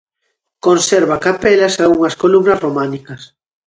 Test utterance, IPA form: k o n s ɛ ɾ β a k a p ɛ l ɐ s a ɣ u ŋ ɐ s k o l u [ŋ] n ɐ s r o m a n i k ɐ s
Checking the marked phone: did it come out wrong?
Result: yes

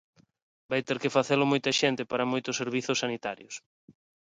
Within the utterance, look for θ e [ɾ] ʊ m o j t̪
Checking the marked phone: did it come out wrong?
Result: yes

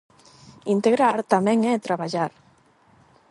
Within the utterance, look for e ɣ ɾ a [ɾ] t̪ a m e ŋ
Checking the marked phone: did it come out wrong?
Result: no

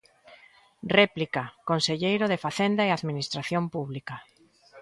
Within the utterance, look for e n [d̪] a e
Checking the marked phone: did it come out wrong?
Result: no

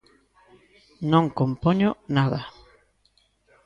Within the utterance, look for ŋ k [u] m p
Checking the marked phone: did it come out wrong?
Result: yes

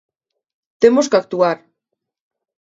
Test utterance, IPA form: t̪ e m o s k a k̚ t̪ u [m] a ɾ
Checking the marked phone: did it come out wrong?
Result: yes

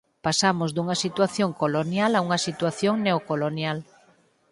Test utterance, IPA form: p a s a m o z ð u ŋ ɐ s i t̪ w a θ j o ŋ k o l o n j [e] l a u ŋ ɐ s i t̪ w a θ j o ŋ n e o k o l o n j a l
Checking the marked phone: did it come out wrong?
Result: yes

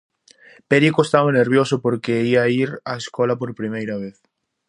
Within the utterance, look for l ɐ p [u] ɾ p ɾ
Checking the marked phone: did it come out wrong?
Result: yes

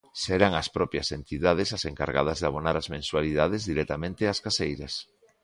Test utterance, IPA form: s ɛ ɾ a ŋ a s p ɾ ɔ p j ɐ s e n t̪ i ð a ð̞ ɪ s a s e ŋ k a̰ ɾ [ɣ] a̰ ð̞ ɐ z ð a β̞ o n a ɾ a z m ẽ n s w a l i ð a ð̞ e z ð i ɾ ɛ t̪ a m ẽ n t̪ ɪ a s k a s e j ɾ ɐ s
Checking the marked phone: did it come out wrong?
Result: no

